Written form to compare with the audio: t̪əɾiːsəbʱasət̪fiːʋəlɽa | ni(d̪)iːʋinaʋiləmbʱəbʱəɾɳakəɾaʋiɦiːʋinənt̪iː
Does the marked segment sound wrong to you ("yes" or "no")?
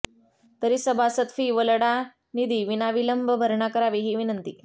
no